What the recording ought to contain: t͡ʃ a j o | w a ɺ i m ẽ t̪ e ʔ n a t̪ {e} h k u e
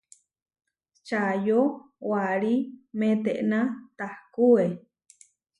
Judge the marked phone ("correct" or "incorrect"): incorrect